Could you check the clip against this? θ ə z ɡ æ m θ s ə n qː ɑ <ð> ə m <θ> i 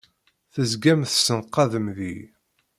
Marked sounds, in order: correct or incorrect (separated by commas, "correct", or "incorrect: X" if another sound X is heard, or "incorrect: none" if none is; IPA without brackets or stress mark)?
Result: correct, incorrect: ð